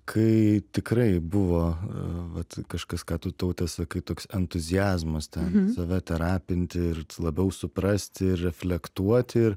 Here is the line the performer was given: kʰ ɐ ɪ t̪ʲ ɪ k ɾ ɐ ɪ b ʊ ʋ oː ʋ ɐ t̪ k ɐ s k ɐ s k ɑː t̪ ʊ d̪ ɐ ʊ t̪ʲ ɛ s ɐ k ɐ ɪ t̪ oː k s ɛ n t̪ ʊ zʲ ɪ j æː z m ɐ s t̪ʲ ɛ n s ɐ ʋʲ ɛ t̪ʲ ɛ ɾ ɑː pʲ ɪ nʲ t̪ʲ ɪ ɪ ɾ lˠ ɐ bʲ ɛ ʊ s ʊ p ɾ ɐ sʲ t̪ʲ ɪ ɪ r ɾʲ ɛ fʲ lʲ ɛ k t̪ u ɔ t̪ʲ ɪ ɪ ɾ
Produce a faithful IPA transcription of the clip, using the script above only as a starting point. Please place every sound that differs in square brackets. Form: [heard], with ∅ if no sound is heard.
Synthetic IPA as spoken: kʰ ɐ ɪ t̪ʲ ɪ k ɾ ɐ ɪ b ʊ ʋ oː ʋ ɐ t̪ k ɐ [ʃ] k ɐ s k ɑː t̪ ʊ [t̪] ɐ ʊ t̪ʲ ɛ s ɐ k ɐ ɪ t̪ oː k s ɛ n t̪ ʊ zʲ ɪ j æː z m ɐ s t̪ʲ ɛ n s ɐ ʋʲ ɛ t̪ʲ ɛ ɾ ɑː pʲ ɪ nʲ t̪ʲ ɪ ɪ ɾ lˠ ɐ bʲ ɛ ʊ s ʊ p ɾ ɐ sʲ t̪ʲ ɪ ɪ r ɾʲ ɛ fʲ lʲ ɛ k t̪ u ɔ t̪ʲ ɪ ɪ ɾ